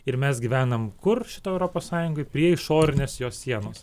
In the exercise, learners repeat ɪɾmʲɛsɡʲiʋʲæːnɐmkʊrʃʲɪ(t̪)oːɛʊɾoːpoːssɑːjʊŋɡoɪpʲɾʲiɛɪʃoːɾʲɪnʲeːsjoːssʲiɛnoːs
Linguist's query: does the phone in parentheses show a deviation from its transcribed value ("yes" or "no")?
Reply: no